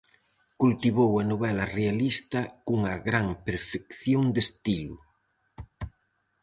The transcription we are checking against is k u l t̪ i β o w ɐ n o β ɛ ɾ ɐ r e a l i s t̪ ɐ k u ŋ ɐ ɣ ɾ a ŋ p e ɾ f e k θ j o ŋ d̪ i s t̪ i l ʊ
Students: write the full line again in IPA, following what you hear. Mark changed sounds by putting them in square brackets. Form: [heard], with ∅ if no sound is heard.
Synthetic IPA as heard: k u l t̪ i β o w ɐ n o β ɛ [l] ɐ r e a l i s t̪ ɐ k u ŋ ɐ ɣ ɾ a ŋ p e ɾ f e k θ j o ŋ d̪ [e] s t̪ i l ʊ